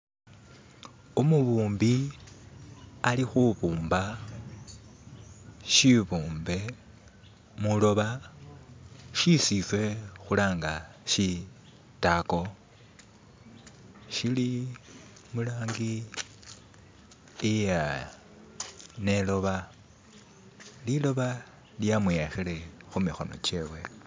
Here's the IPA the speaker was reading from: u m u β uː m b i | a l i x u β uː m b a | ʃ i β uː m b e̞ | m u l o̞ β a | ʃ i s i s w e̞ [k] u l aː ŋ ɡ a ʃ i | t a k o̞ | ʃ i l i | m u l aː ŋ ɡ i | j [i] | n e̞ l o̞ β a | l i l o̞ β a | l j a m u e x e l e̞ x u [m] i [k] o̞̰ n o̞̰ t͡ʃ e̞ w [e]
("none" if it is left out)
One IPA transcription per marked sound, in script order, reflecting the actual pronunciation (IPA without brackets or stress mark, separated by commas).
x, a, m, x, e